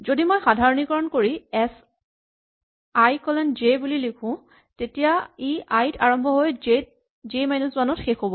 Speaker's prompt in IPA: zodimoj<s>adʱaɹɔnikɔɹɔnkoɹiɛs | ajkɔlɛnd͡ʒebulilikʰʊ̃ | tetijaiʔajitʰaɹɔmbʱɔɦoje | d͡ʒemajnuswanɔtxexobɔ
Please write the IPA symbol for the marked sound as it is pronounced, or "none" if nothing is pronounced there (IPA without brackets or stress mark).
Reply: x